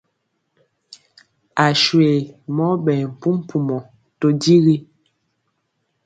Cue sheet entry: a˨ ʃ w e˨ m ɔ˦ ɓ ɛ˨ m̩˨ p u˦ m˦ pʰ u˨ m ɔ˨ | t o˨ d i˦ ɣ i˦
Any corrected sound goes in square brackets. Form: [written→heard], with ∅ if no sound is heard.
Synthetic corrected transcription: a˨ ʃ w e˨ m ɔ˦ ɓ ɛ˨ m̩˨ p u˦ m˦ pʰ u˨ m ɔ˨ | t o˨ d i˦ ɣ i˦